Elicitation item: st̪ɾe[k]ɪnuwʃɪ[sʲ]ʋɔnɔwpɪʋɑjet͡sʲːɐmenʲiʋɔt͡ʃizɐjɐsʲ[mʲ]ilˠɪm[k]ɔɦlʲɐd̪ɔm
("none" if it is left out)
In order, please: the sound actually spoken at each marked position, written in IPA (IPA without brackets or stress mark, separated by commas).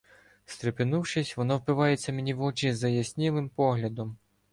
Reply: p, sʲ, nʲ, p